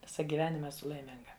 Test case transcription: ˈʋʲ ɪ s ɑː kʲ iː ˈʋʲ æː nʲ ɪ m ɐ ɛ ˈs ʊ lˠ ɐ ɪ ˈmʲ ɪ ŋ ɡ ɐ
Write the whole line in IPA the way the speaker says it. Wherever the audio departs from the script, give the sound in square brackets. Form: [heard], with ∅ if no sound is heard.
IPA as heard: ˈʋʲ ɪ s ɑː [ɡʲ] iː ˈʋʲ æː nʲ ɪ m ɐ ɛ ˈs ʊ lˠ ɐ ɪ ˈmʲ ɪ ŋ ɡ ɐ